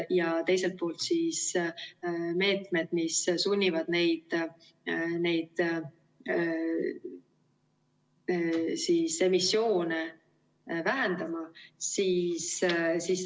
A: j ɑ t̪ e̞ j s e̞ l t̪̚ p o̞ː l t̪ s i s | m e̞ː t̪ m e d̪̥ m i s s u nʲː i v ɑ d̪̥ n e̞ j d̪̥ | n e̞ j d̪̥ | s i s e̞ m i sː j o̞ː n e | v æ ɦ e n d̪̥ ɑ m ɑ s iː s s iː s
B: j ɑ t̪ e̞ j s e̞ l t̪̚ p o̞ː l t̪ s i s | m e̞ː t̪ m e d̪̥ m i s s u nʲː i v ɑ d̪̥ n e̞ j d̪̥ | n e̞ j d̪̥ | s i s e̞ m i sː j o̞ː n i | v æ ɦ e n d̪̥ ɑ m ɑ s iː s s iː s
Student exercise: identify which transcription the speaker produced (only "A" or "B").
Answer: A